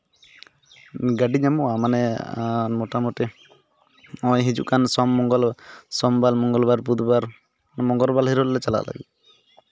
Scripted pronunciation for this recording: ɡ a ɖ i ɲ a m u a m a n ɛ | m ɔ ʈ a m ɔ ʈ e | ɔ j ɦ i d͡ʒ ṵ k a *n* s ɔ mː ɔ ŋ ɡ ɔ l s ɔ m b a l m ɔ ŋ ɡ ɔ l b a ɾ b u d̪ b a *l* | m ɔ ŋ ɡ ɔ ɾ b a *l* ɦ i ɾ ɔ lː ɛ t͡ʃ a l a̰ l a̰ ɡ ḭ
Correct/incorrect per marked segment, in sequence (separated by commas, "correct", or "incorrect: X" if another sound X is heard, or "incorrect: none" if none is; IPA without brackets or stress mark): correct, incorrect: ɾ, correct